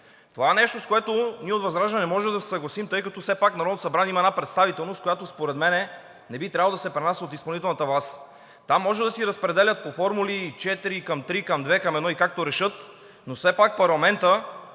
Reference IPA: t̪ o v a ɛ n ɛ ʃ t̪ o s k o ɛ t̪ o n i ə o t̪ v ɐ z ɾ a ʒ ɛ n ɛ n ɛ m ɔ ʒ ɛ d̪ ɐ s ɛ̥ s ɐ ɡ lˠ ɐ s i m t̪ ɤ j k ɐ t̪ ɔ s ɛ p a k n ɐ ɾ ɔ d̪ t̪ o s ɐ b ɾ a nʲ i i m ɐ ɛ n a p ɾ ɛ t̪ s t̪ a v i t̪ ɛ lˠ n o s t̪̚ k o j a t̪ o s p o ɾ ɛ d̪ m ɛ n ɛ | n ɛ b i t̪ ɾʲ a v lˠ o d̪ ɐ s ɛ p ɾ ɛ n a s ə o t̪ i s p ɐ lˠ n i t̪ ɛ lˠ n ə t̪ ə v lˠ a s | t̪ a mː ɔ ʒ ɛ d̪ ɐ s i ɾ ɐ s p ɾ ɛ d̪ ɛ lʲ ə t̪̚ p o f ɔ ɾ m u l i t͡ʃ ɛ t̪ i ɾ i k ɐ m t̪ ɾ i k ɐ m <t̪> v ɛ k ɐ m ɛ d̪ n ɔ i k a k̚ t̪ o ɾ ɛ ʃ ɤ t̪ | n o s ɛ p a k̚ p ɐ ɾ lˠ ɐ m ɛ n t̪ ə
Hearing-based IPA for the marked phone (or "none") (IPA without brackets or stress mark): d̪